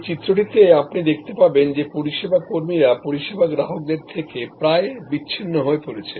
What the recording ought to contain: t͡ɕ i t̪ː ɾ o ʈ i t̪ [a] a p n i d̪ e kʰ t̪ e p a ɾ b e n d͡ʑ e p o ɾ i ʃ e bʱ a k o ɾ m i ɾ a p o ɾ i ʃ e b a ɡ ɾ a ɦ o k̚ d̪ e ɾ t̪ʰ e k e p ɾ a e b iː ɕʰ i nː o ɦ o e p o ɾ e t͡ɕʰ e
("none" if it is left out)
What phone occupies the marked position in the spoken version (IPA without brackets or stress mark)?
e